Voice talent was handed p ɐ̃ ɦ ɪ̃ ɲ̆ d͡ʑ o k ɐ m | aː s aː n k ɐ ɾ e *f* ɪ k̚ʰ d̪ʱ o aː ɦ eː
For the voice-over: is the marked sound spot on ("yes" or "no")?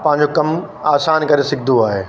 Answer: no